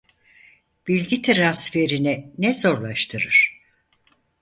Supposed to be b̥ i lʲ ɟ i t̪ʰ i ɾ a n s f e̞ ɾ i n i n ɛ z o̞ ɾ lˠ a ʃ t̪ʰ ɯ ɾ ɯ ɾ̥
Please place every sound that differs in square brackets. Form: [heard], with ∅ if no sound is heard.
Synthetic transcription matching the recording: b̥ i lʲ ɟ i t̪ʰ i ɾ a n s f e̞ ɾ i n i n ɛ z o̞ ɾ lˠ a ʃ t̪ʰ ɯ ɾ ɯ ɾ̥